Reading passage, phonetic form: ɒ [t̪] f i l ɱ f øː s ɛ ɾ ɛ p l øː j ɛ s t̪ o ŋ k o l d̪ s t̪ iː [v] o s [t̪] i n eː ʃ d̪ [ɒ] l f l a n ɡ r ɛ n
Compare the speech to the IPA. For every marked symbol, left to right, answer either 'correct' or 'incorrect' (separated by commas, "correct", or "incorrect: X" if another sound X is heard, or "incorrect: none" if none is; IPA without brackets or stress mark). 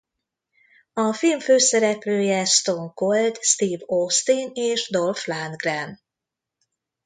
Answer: incorrect: none, correct, correct, incorrect: o